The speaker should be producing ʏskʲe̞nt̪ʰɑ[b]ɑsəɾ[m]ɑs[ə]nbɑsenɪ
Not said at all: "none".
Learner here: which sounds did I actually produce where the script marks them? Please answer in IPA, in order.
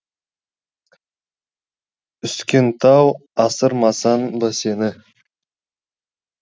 w, m, ɑ

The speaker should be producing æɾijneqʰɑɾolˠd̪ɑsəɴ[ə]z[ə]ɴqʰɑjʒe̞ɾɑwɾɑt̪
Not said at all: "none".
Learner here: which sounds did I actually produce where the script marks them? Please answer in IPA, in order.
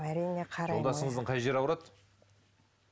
ə, ə

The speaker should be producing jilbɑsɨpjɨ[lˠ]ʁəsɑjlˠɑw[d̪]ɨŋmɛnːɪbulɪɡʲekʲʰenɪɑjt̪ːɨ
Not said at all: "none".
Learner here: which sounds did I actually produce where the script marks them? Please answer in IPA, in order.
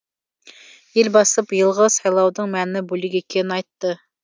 lˠ, d̪

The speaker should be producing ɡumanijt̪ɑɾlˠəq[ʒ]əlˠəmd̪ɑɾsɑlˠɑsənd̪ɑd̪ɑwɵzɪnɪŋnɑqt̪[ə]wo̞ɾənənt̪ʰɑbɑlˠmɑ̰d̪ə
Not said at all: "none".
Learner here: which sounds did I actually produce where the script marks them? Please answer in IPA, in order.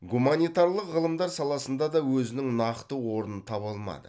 ʁ, ə

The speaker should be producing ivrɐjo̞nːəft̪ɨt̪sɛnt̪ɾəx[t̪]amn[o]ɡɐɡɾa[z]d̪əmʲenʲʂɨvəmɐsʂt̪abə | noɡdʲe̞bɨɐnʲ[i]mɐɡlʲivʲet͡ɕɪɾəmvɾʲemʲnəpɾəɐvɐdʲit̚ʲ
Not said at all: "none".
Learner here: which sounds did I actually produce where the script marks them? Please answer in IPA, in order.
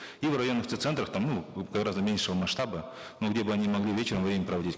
t̪, u, z, i

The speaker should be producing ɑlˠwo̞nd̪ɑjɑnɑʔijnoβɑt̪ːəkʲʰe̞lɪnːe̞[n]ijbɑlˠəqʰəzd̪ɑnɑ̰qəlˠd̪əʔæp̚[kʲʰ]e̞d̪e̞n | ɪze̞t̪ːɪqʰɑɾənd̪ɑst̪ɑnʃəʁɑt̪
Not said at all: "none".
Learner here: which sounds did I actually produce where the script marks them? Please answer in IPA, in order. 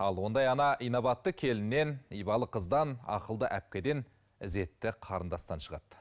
n, kʲ

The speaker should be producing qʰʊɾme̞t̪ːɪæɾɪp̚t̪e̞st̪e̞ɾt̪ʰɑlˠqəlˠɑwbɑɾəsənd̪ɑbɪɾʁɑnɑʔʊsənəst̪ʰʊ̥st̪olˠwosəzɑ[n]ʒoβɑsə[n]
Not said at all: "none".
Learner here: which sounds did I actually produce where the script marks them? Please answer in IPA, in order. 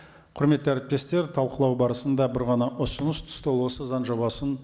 n, n

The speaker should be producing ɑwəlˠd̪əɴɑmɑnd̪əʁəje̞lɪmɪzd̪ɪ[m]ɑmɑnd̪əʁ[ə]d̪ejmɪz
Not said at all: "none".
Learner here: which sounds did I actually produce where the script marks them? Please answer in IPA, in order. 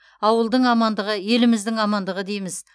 ŋ, ə

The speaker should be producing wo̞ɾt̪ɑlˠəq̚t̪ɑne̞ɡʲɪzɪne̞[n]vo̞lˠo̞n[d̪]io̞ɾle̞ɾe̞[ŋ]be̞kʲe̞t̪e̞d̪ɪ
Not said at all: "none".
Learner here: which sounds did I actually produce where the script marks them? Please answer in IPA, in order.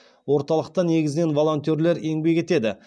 n, t̪, ŋ

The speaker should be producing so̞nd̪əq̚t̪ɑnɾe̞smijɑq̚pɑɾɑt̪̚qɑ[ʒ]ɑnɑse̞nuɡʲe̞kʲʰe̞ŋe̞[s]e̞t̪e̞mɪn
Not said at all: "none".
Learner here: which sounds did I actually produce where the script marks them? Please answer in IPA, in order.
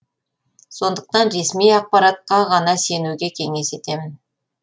ʁ, s

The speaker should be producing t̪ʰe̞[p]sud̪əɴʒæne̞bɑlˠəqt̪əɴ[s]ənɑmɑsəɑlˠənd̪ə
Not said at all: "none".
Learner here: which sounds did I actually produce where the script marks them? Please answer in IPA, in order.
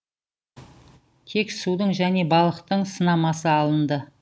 k, s

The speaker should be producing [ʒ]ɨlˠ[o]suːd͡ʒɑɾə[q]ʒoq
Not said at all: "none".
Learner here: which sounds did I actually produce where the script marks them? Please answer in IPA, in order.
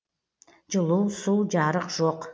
d͡ʒ, u, q

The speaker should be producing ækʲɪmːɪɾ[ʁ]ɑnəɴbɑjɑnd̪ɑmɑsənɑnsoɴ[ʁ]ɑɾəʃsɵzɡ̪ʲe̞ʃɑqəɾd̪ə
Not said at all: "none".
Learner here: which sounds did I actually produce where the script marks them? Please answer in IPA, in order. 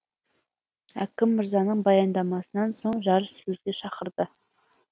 z, ʒ

